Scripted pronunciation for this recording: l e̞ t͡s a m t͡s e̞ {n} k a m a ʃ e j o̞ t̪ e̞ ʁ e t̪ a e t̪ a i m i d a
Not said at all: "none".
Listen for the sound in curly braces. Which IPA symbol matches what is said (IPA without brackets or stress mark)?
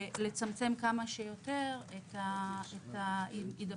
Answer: m